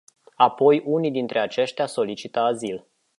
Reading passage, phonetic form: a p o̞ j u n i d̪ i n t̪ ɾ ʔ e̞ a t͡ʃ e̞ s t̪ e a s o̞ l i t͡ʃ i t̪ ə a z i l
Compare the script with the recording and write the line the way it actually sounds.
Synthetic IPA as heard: a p o̞ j u n i d̪ i n t̪ ɾ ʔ e̞ a t͡ʃ e̞ ʃ t̪ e a s o̞ l i t͡ʃ i t̪ ə a z i l